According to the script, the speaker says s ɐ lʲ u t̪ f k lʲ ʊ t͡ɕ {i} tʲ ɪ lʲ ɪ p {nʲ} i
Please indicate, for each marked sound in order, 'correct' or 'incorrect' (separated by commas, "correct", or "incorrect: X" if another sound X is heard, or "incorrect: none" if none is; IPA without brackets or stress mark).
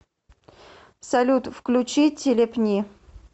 correct, correct